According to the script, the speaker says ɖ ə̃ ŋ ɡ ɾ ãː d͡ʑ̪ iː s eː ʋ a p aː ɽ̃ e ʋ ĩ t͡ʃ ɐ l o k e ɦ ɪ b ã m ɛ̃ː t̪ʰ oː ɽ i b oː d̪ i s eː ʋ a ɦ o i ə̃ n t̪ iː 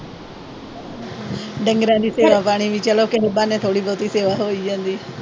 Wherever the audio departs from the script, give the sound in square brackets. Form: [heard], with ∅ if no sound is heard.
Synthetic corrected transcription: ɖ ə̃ ŋ ɡ ɾ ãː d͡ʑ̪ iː s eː ʋ a p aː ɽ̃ [i] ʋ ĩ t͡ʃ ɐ l o k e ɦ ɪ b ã [n] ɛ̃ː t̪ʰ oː ɽ i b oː [t̪] i s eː ʋ a ɦ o i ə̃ n [d̪] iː